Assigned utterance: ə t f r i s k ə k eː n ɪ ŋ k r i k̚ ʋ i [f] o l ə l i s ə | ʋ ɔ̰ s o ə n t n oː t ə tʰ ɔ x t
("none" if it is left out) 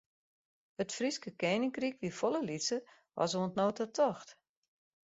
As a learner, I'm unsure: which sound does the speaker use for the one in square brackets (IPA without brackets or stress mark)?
f